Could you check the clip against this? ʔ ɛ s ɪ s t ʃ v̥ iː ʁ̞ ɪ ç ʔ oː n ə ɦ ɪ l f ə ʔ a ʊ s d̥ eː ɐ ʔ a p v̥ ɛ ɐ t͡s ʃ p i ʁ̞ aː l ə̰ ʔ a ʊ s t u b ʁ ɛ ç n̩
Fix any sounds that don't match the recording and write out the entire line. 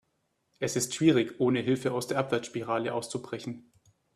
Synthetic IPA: ʔ ɛ s ɪ s t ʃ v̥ iː ʁ̞ ɪ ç ʔ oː n ə ɦ ɪ l f ə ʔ a ʊ s d̥ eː ɐ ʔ a p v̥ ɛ ɐ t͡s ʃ p i ʁ̞ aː l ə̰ ʔ a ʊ s t͡s u b ʁ ɛ ç n̩